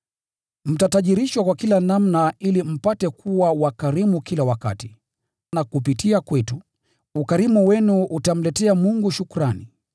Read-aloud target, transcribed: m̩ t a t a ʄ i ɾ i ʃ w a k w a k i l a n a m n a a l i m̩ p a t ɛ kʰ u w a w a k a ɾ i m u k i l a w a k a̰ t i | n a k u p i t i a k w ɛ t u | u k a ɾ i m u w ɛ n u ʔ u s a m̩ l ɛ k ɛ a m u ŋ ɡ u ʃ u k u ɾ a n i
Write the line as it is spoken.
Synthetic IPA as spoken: m̩ t a t a ʄ i ɾ i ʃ w a k w a k i l a n a m n a i l i m̩ p a t ɛ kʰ u w a w a k a ɾ i m u k i l a w a k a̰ t i | n a k u p i t i a k w ɛ t u | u k a ɾ i m u w ɛ n u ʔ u t a m̩ l ɛ t ɛ a m u ŋ ɡ u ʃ u k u ɾ a n i